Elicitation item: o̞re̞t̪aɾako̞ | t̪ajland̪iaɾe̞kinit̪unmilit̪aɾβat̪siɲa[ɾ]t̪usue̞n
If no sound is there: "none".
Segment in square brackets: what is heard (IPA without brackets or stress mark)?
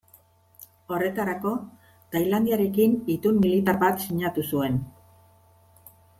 none